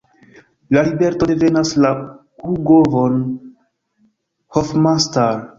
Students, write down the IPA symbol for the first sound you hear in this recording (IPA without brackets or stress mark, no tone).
l